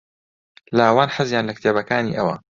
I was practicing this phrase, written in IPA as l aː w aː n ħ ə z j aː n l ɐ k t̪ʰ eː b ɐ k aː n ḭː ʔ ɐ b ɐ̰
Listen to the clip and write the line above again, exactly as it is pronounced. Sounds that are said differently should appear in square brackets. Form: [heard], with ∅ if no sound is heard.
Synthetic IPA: l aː w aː n ħ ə z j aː n l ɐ k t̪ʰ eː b ɐ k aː n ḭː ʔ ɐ [w] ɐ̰